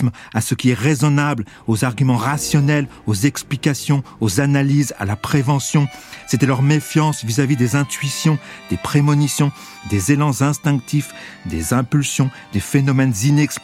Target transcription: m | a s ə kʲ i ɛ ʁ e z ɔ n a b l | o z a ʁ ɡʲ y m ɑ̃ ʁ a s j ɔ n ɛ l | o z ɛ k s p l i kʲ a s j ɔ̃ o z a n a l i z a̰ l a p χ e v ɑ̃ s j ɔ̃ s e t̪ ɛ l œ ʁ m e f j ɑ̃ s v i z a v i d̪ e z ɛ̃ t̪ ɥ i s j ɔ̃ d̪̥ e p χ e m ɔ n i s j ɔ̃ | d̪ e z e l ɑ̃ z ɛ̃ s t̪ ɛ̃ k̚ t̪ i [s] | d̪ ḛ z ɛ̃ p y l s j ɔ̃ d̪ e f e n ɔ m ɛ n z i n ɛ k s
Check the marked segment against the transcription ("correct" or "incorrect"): incorrect